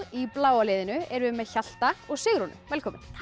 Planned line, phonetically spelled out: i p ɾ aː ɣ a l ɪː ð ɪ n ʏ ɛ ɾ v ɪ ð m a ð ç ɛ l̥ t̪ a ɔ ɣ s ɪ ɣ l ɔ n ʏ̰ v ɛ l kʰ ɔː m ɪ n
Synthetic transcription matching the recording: i p l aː w a l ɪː ð ɪ n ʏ ɛ ɾ v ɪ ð m ɛ ð ç a l̥ t̪ a ɔ ɣ s ɪ ɣ ɾ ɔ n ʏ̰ v ɛ l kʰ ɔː m ɪ n